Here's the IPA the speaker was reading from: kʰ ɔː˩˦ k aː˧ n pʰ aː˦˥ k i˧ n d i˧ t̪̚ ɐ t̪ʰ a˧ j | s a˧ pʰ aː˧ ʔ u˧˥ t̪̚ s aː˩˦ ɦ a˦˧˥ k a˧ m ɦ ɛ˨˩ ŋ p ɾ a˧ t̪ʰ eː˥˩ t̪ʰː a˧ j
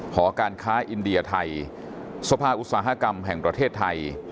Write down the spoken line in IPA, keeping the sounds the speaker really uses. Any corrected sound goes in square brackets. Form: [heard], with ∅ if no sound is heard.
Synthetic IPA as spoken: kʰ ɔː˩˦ k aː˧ n [kʰ] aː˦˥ [ʔ] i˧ n d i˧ [∅] ɐ t̪ʰ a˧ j | s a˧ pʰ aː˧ ʔ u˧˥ t̪̚ s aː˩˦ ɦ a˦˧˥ k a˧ m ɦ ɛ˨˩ ŋ p ɾ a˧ t̪ʰ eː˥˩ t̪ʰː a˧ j